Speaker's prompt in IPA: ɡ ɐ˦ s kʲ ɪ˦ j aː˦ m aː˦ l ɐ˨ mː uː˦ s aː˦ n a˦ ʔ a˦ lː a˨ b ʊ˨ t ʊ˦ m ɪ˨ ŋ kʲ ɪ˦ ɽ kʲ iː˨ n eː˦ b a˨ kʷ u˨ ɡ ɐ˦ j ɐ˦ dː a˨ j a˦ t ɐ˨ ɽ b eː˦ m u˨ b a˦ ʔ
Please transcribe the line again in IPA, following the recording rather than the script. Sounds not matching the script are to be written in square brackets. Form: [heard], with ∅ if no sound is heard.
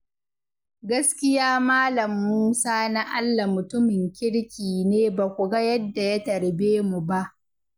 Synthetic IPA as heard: ɡ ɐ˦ s kʲ ɪ˦ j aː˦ m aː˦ l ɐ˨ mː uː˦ s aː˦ n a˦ ʔ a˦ lː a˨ [m] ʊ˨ t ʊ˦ m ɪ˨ ŋ kʲ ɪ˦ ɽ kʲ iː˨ n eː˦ b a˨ kʷ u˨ ɡ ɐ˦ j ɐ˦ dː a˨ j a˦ t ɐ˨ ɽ b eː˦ m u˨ b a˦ ʔ